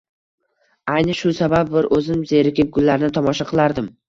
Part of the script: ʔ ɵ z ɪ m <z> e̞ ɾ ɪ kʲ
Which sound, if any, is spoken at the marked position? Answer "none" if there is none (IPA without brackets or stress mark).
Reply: z